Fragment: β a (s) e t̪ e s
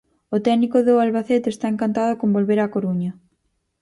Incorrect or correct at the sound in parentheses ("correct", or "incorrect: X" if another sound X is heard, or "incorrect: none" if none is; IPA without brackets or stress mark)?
incorrect: θ